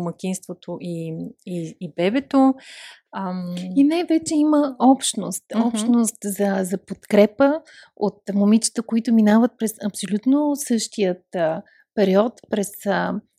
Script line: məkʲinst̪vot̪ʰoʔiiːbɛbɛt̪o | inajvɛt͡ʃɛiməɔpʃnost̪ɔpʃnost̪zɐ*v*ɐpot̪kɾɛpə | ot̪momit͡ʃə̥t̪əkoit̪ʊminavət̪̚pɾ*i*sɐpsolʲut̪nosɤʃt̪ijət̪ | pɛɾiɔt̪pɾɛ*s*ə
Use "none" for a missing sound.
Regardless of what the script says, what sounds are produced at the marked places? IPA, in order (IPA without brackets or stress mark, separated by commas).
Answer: z, ɛ, s